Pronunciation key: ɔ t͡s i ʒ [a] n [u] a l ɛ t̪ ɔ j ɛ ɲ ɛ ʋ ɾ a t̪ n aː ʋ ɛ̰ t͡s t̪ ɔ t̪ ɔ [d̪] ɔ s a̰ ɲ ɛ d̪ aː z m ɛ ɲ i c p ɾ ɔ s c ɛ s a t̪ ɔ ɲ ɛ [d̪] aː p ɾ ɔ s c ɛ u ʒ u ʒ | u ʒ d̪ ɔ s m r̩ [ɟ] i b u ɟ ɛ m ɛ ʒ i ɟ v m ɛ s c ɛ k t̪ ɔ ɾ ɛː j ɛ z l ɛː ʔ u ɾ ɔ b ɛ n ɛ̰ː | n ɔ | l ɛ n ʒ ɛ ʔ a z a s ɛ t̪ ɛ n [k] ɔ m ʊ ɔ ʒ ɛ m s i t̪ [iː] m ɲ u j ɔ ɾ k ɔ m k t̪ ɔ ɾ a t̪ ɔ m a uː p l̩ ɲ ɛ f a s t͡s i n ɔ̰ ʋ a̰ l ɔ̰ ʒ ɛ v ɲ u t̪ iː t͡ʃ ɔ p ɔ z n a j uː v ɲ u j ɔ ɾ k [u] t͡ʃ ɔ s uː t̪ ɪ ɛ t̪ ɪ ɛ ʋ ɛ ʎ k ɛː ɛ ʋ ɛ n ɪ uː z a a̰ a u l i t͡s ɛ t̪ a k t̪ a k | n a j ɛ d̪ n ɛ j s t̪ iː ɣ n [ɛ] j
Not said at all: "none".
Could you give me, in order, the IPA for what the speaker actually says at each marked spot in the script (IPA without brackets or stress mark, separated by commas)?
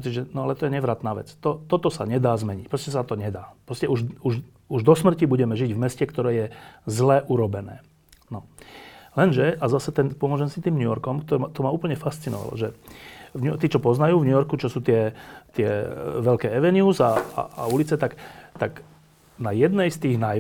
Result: ɛ, ɔ, t̪, d̪, c, p, iː, u, a